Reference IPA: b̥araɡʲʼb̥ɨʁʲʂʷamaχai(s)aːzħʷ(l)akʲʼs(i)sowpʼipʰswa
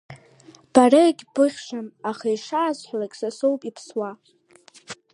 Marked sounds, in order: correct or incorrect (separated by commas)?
incorrect, correct, incorrect